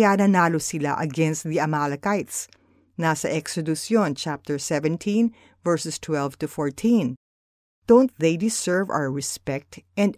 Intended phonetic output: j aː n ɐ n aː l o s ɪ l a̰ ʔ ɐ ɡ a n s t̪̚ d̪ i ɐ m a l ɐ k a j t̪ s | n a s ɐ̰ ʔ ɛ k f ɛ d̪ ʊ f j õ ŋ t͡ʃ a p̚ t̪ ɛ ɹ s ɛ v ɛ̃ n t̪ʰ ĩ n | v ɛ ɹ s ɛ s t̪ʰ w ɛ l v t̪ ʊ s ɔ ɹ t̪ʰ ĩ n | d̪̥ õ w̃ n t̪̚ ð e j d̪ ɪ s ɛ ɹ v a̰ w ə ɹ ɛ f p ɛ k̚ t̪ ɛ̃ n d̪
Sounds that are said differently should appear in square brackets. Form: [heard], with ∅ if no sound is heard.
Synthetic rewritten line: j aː n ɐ n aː l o s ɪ l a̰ ʔ ɐ ɡ [ɛ] n s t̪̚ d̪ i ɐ m a l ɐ k a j t̪ s | n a s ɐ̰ ʔ ɛ k [s] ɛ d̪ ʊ [s] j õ [n] t͡ʃ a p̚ t̪ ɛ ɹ s ɛ v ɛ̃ n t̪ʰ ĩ n | v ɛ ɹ s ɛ s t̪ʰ w ɛ l v t̪ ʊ [f] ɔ ɹ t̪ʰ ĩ n | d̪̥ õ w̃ n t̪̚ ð e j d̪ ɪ s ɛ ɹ v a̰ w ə ɹ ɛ [s] p ɛ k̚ t̪ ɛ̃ n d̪